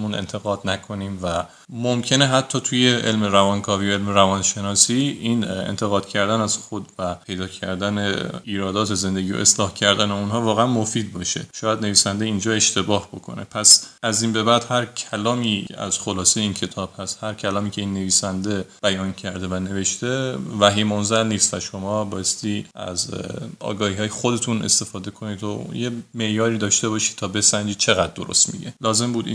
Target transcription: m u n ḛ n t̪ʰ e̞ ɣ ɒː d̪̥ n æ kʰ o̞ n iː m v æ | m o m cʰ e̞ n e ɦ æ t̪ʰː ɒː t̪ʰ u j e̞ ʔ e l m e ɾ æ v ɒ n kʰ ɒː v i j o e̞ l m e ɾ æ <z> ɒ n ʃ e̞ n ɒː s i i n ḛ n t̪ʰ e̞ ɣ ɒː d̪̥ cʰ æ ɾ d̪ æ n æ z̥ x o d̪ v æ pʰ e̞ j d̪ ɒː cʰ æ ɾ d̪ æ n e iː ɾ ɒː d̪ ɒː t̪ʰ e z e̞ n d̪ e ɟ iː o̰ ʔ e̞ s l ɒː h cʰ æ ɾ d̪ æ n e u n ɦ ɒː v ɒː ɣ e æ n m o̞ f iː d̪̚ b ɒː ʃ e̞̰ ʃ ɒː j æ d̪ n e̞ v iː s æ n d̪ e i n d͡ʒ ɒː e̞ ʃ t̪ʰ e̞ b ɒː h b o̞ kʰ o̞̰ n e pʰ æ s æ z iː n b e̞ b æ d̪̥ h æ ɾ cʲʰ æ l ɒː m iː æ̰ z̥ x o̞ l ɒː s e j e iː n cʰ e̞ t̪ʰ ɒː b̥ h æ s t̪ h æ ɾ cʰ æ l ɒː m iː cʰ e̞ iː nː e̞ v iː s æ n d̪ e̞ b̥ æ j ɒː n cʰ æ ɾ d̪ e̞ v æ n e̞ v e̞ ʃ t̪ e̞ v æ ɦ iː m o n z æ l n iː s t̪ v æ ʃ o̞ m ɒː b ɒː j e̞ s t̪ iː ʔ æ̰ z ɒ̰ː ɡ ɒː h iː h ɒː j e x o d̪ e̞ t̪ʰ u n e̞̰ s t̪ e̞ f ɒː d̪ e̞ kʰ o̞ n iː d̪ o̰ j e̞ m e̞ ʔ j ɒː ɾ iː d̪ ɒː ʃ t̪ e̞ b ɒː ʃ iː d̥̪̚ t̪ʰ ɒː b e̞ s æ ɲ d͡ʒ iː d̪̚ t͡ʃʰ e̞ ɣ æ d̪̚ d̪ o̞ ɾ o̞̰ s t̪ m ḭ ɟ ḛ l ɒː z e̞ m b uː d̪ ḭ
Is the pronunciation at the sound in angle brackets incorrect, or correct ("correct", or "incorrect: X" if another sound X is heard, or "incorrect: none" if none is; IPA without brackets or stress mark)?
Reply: incorrect: v